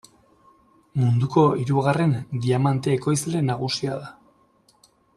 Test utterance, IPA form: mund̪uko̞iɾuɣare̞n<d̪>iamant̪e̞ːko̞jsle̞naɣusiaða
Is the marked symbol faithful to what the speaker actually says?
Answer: yes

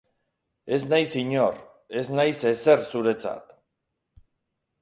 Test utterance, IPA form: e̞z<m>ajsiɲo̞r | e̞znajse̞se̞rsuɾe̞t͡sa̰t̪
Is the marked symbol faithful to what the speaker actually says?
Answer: no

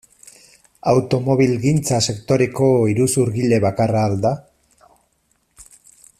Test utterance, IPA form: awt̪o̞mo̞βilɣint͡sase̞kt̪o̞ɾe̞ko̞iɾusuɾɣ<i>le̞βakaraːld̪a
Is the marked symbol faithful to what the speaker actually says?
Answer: yes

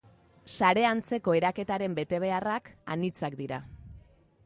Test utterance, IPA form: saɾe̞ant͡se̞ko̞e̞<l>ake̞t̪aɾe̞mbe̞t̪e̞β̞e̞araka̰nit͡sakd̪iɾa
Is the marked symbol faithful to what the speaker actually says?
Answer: no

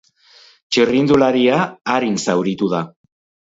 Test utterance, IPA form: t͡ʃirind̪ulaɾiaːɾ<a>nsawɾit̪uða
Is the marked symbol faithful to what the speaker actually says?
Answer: no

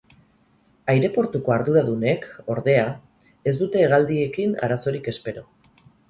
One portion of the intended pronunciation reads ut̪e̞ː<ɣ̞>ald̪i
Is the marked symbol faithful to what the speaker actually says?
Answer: yes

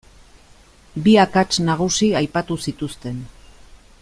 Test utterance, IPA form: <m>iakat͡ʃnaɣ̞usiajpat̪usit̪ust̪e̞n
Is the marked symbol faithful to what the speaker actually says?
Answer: no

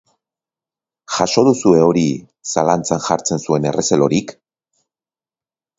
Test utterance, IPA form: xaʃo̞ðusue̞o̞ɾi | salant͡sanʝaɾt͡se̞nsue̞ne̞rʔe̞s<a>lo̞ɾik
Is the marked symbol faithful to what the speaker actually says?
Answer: no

